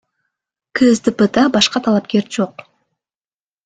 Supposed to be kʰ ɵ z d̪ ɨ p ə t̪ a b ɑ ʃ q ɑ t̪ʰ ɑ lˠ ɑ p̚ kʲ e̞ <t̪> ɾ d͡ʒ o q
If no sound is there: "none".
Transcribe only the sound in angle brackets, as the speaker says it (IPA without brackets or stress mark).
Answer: none